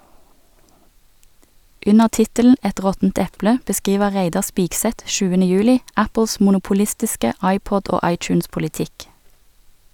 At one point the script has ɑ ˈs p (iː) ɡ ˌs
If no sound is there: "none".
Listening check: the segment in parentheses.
iː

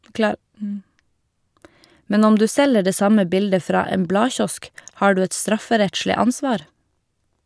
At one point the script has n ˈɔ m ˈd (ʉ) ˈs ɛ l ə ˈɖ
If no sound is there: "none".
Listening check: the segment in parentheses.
ʉː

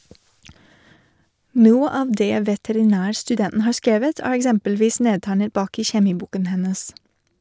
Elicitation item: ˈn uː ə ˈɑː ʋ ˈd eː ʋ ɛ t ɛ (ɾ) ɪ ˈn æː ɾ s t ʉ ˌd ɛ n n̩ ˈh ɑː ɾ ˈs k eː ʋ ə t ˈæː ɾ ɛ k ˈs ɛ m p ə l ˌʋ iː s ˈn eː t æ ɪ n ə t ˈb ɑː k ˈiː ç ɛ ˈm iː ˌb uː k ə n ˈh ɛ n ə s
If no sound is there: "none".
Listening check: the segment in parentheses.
ɾ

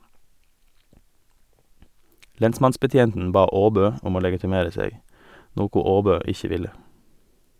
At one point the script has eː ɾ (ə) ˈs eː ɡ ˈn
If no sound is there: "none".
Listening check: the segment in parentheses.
ə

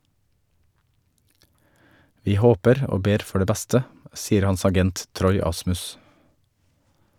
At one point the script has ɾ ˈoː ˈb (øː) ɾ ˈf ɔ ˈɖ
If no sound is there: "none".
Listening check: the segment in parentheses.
eː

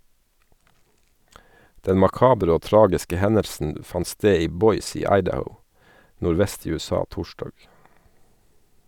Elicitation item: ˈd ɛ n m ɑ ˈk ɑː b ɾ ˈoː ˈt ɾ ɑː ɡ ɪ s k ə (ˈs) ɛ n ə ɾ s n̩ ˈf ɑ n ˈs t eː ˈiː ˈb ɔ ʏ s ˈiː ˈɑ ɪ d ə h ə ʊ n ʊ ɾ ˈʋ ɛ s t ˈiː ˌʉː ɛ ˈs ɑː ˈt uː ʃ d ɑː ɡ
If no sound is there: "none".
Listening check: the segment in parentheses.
h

